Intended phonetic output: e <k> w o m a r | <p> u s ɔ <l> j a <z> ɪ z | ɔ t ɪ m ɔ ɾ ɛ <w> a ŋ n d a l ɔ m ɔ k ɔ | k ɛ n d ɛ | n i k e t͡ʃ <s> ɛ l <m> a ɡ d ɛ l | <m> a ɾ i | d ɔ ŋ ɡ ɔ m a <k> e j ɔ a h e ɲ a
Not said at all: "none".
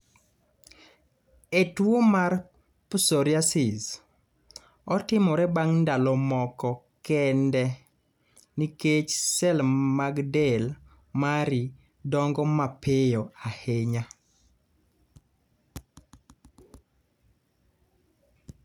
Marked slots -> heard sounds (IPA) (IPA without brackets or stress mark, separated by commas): t, p, ɾ, s, b, s, m, m, p